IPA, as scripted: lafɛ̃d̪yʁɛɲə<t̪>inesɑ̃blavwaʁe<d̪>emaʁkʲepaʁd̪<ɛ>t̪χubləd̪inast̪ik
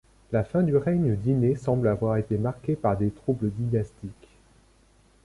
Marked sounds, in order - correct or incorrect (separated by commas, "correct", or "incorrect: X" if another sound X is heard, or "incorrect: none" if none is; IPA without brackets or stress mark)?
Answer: incorrect: d̪, incorrect: t̪, incorrect: e